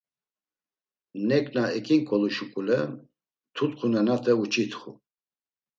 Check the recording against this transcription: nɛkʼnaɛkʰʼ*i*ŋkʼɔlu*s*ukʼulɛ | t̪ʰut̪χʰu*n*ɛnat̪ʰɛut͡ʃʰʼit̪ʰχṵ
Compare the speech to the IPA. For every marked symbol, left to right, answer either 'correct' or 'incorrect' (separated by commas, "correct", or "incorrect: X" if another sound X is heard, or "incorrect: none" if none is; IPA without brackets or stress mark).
correct, incorrect: ʃ, correct